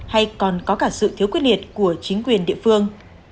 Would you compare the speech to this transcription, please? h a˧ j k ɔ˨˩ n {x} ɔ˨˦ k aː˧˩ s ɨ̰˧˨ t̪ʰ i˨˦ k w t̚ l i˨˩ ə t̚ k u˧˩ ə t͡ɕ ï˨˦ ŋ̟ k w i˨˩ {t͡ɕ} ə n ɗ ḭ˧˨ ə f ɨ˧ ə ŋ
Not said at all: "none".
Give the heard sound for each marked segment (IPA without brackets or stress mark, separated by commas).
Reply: k, none